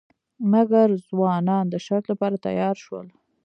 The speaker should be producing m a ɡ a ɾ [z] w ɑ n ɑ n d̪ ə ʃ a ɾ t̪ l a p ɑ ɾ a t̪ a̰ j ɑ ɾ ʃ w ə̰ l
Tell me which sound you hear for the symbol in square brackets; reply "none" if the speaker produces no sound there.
z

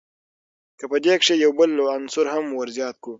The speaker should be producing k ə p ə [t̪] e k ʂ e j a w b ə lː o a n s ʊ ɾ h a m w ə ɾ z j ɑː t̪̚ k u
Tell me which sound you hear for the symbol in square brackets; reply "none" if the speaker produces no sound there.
d̪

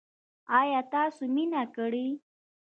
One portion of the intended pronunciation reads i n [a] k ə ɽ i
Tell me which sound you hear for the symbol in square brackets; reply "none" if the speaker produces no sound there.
a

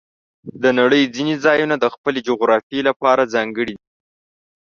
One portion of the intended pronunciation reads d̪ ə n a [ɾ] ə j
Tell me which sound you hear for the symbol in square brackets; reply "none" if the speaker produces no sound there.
ɽ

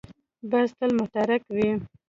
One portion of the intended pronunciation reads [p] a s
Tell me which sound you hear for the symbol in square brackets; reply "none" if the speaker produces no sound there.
b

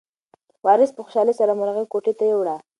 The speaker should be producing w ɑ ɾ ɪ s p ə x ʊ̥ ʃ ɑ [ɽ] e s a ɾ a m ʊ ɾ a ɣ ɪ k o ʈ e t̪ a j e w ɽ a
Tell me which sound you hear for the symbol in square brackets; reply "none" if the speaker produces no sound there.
l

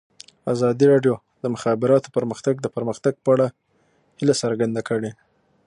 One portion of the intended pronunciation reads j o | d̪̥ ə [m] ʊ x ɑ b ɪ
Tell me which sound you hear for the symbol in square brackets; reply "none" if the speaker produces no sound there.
m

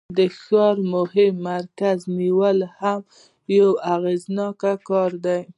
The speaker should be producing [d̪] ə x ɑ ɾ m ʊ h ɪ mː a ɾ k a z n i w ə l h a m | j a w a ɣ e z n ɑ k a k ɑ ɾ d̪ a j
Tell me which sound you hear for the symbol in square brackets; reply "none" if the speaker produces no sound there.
d̪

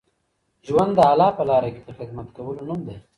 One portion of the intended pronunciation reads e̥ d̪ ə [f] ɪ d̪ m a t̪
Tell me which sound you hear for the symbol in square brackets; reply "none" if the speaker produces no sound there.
x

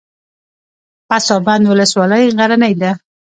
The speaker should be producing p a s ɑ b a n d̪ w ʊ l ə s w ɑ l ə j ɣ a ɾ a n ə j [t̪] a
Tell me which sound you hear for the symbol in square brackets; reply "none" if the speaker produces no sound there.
d̪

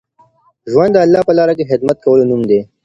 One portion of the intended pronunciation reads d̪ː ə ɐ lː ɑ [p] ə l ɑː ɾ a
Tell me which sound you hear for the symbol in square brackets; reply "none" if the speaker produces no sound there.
p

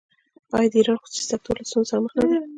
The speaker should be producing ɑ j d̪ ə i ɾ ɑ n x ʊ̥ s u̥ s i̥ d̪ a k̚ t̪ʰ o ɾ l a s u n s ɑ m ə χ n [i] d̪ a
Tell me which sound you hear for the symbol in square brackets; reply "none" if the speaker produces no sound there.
a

